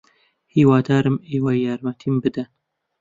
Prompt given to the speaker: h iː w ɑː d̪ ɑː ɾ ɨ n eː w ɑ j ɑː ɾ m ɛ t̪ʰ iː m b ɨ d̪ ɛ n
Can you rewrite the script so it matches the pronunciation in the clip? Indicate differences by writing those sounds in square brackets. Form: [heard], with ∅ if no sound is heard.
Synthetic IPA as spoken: h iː w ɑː d̪ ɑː ɾ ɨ [m] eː w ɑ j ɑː ɾ m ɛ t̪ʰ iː m b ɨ d̪ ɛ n